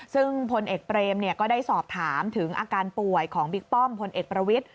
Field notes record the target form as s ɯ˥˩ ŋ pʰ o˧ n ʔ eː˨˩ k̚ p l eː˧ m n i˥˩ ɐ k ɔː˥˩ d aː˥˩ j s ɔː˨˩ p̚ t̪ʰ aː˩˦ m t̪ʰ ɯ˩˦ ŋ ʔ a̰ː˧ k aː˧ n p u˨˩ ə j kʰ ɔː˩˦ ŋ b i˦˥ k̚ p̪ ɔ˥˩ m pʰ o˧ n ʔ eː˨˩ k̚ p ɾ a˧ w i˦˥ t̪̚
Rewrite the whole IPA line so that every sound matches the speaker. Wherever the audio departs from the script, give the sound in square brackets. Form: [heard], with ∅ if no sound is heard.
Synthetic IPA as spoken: s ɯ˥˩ ŋ pʰ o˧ n ʔ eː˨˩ k̚ p [ɾ] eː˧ m n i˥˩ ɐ k ɔː˥˩ d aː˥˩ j s ɔː˨˩ p̚ t̪ʰ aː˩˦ m t̪ʰ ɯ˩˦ ŋ ʔ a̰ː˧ k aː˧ n p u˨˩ ə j kʰ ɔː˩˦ ŋ b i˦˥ k̚ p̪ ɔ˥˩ m pʰ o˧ n ʔ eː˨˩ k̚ p ɾ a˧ w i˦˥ t̪̚